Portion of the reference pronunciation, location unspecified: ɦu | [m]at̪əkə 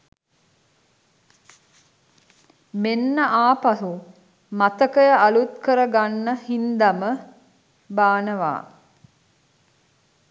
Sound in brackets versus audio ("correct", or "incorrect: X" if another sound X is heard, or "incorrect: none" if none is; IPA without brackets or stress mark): correct